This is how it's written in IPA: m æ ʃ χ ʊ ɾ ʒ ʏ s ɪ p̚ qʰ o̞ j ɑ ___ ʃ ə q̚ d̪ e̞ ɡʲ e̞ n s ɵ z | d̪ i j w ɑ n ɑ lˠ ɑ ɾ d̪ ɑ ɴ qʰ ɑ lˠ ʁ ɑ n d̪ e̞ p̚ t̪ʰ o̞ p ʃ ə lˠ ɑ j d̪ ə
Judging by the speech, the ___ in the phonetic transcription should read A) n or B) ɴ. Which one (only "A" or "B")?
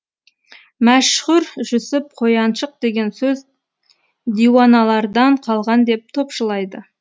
A